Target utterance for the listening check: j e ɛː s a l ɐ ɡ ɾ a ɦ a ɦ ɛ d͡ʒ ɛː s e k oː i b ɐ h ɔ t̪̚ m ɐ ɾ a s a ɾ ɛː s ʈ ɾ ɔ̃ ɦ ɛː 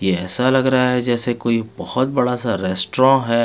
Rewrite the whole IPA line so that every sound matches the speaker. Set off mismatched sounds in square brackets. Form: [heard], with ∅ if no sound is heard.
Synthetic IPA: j e ɛː s a l ɐ ɡ ɾ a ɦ a ɦ ɛ d͡ʒ ɛː s e k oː i b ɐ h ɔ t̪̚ [b] ɐ [ɽ] a s a ɾ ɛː s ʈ ɾ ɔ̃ ɦ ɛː